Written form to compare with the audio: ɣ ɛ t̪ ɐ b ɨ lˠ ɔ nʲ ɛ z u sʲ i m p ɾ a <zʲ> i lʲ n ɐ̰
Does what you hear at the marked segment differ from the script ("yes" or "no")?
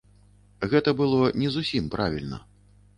yes